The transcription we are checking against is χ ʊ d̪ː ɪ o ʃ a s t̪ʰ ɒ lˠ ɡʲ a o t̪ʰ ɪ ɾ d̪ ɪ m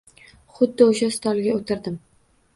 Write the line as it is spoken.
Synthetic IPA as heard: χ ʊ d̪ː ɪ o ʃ a s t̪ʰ ɒ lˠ ɡʲ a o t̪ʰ ɪ ɾ d̪ ɪ m